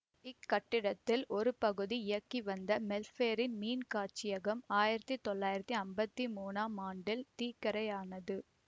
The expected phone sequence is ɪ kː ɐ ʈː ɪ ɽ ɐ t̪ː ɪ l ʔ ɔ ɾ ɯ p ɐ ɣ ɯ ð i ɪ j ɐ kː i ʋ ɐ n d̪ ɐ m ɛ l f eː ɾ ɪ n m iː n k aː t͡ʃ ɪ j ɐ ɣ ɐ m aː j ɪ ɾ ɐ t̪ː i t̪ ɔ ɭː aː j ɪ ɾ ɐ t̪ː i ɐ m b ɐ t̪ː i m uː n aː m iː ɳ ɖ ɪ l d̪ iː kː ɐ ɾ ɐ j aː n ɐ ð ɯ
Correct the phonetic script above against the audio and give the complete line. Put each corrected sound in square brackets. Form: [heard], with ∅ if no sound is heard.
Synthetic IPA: ɪ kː ɐ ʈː ɪ ɽ ɐ t̪ː ɪ l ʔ ɔ ɾ ɯ p ɐ ɣ ɯ ð i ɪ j ɐ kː i ʋ ɐ n d̪ ɐ m ɛ l f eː ɾ ɪ n m iː n k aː t͡ʃ ɪ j ɐ ɣ ɐ m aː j ɪ ɾ ɐ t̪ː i t̪ ɔ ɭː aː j ɪ ɾ ɐ t̪ː i ɐ m b ɐ t̪ː i m uː n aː m [aː] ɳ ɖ ɪ l [t̪] iː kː ɐ ɾ ɐ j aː n ɐ ð ɯ